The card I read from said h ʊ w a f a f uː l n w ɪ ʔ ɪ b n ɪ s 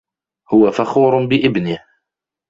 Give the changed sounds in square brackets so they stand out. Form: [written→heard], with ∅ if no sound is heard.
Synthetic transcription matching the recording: h ʊ w a f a [f→x] uː [l→ɾ] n [w→b] ɪ ʔ ɪ b n ɪ [s→h]